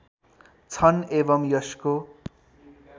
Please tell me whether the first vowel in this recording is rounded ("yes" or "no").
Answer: no